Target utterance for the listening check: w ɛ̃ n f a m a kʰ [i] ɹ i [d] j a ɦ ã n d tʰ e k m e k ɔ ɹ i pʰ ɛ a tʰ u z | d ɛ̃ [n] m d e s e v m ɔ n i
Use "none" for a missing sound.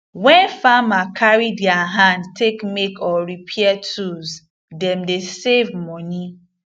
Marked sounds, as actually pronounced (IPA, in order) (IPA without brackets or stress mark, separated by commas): a, d, none